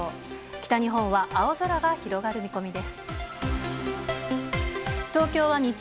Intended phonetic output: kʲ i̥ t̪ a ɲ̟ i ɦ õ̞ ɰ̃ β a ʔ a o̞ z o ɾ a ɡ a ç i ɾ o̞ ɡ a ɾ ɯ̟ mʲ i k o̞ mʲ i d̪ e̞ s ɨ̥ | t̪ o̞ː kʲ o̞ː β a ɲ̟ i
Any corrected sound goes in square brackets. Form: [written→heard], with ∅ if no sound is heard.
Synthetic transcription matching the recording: kʲ i̥ t̪ a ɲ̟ i ɦ õ̞ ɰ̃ β a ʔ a o̞ z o ɾ a ɡ a ç i ɾ o̞ ɡ a ɾ ɯ̟ mʲ i k o̞ mʲ i d̪ e̞ s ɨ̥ | t̪ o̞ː kʲ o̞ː β a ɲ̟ i